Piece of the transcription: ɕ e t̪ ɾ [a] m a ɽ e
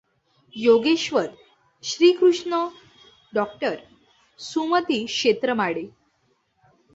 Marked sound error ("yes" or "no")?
yes